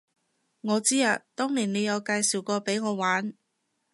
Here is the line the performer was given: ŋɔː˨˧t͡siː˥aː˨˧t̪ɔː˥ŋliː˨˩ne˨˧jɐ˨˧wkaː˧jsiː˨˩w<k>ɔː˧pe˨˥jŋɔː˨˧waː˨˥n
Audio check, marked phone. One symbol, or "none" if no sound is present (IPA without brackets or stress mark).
k